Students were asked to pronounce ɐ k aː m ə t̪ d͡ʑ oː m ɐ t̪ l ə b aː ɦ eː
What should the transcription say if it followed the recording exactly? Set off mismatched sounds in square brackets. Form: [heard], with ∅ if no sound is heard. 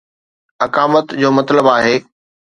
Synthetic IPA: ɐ k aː m ə t̪ d͡ʑ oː m ɐ t̪ l ə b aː ɦ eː